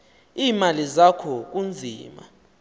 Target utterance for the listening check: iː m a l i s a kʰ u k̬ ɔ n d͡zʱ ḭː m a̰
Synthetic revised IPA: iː m a l i z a kʰ ɔ k̬ u n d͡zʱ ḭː m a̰